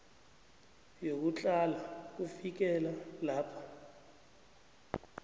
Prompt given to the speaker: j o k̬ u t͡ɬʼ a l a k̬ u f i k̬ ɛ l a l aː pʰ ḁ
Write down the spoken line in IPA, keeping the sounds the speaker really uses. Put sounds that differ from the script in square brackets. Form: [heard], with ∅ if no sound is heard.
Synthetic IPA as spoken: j o k̬ u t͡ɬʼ a l a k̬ u f i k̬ ɛ l a l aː pʰ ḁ

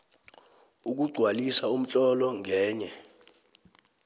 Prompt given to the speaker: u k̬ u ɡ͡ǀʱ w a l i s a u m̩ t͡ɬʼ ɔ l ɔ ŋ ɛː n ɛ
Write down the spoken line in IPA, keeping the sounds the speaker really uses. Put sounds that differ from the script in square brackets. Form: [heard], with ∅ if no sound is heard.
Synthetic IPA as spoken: u k̬ u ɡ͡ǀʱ w a l i s a u m̩ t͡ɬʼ ɔ l ɔ ŋ ɛː [ɲ] ɛ

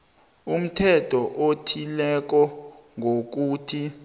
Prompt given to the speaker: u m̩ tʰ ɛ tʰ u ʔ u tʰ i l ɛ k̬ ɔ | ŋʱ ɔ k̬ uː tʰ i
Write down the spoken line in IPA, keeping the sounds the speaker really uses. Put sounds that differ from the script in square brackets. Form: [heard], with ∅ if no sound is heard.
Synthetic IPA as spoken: u m̩ tʰ ɛ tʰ [ɔ] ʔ [o] tʰ i l ɛ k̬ ɔ | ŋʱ [o] k̬ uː tʰ i

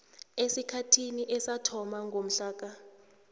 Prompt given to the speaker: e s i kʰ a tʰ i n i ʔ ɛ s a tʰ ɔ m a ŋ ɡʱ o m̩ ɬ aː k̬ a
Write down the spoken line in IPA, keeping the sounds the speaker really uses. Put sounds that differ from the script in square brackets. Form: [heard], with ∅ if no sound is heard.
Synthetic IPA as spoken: e s i kʰ a tʰ i n i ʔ ɛ s a tʰ ɔ m a ŋ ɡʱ o m̩ ɬ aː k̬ a

